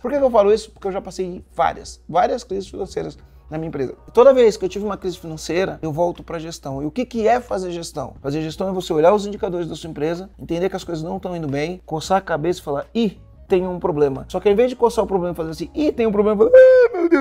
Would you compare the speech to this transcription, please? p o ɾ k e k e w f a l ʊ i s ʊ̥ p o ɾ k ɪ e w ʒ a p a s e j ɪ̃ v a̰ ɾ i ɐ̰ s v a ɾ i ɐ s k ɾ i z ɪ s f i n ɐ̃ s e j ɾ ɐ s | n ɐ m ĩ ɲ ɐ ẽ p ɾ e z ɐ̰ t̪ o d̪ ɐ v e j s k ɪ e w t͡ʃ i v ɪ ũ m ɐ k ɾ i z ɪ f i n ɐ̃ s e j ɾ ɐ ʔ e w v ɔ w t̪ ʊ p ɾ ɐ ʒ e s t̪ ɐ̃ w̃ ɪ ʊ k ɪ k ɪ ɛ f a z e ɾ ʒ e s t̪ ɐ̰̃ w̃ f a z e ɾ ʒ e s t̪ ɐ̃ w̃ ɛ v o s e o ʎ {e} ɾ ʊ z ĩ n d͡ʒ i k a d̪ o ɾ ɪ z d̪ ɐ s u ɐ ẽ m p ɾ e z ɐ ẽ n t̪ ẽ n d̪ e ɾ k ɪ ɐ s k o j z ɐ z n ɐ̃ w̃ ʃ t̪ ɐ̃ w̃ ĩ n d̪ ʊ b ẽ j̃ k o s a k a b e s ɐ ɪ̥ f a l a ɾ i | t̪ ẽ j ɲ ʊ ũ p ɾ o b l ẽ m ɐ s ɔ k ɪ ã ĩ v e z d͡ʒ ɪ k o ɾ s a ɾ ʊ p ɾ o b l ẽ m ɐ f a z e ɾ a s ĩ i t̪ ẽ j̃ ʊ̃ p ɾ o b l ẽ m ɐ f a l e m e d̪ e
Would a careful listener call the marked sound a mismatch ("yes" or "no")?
yes